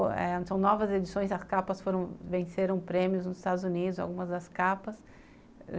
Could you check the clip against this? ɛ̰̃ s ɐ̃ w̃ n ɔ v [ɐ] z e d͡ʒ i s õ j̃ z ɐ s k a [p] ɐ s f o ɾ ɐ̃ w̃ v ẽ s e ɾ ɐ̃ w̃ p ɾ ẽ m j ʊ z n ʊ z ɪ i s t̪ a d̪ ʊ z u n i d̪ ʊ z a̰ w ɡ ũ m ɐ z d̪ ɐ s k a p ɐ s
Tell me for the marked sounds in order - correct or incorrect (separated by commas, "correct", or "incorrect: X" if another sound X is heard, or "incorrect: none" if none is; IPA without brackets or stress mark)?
correct, correct